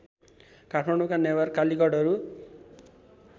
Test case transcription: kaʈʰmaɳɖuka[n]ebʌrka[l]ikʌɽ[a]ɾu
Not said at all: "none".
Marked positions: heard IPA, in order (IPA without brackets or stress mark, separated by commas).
n, l, ʌ